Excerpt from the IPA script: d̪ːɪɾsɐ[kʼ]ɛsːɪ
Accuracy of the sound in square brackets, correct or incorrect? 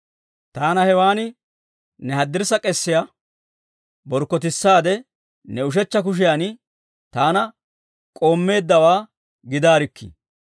correct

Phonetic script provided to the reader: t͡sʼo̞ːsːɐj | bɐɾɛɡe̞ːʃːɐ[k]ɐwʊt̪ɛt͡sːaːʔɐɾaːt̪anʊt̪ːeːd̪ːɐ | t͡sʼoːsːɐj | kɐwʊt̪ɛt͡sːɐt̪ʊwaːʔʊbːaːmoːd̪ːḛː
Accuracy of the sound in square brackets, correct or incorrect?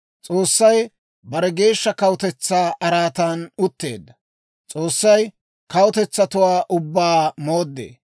correct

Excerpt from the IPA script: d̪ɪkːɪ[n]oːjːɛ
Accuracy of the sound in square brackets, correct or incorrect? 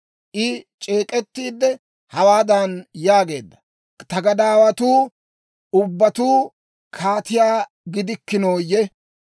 correct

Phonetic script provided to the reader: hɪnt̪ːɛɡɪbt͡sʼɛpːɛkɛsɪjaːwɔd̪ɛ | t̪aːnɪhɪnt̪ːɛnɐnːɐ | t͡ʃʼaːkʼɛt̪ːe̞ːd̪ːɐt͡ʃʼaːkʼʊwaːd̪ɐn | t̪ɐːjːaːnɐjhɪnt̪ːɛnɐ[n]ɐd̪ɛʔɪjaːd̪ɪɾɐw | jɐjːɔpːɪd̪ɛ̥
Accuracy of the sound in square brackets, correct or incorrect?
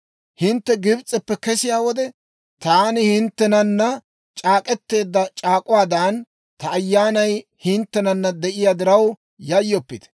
incorrect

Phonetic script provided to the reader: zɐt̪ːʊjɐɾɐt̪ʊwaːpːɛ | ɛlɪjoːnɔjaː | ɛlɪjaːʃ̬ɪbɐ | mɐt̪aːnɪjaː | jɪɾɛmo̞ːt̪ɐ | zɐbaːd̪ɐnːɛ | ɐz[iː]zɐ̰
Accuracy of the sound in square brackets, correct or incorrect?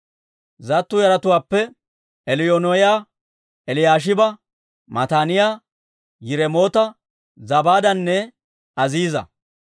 correct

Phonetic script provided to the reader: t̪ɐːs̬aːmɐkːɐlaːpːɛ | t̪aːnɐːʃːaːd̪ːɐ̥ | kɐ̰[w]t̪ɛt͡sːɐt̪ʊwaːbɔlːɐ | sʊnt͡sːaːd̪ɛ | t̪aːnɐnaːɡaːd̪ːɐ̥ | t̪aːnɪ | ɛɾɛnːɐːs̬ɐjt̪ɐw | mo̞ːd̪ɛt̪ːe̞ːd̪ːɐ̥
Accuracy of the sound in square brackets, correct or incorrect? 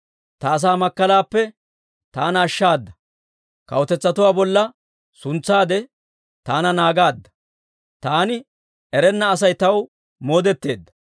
correct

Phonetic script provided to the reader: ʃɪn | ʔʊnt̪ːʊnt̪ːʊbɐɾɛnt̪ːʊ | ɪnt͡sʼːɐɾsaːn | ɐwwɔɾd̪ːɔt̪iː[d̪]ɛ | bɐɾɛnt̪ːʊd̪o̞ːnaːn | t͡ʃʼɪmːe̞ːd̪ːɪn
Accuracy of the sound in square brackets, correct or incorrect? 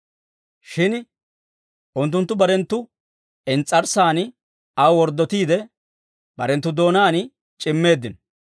correct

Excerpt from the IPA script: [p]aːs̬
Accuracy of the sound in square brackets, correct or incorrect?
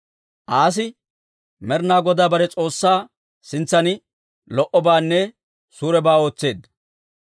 incorrect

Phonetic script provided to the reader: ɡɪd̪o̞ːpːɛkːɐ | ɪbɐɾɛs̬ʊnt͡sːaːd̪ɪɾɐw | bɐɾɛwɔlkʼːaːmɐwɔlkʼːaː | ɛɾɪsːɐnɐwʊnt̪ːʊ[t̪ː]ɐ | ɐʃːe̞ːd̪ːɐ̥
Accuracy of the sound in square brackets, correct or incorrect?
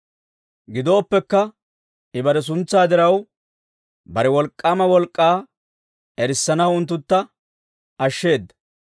correct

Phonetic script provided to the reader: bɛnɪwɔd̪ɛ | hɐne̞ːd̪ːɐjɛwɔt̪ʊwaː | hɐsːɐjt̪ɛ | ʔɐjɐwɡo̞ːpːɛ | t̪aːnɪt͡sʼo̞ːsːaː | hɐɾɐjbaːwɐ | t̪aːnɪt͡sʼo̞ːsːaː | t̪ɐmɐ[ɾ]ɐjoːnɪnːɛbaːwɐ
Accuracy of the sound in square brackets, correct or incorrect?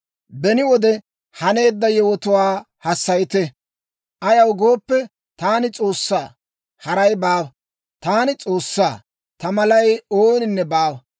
incorrect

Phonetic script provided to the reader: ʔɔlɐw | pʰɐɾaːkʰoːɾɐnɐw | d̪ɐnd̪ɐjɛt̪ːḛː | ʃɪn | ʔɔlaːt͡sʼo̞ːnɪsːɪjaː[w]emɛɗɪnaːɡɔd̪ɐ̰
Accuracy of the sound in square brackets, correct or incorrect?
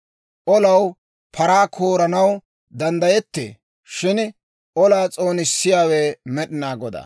correct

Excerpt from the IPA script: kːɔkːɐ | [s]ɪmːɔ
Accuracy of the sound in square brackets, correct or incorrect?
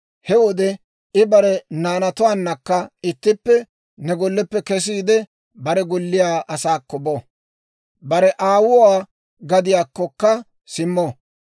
correct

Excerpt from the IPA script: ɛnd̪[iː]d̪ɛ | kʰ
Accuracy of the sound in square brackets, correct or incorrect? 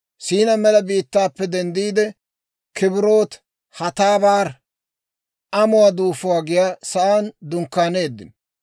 correct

